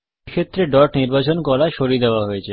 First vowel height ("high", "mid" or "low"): mid